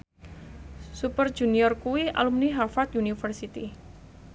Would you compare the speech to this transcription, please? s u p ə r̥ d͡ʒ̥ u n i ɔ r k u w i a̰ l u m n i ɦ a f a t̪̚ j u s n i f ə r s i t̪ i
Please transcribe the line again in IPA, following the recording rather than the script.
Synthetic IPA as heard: s u p ə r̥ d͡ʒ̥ u n i ɔ r k u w i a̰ l u m n i ɦ a f a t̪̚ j u n i f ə r s i t̪ i